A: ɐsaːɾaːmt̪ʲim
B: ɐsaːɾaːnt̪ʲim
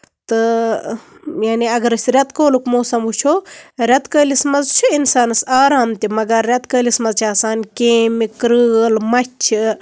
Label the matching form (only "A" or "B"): A